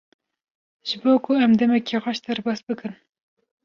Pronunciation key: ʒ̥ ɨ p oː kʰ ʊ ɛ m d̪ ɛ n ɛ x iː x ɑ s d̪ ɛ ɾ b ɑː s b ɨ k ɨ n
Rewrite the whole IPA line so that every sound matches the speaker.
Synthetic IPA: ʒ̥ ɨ b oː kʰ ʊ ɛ m d̪ ɛ m ɛ k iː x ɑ ʃ d̪ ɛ ɾ b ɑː s b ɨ k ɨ n